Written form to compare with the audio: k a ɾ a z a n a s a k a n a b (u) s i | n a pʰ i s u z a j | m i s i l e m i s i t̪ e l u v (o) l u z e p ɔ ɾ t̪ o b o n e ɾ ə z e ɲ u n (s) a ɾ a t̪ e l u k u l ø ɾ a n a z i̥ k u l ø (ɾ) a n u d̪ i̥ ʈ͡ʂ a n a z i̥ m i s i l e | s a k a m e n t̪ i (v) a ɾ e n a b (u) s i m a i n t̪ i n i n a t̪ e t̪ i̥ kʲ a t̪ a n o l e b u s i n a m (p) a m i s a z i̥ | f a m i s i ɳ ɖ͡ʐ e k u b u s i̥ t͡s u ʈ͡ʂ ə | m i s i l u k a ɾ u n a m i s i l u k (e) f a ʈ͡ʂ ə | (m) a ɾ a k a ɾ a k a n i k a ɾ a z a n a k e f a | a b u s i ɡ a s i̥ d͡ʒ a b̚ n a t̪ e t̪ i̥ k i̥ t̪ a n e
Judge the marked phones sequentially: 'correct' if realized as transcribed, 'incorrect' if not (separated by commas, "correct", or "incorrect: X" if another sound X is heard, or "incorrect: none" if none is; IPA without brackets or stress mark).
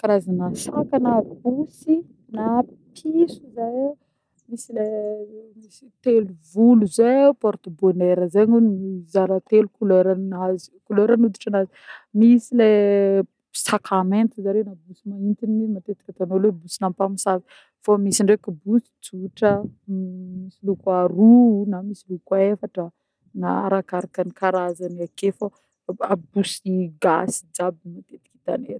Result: correct, incorrect: u, incorrect: z, correct, incorrect: z, correct, correct, correct, incorrect: n